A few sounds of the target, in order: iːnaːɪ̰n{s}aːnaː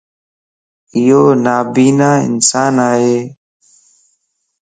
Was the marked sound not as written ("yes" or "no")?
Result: no